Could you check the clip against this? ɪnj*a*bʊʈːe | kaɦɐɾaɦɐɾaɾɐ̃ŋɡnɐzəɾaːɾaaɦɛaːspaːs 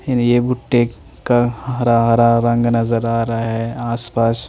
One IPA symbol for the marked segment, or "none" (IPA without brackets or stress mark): e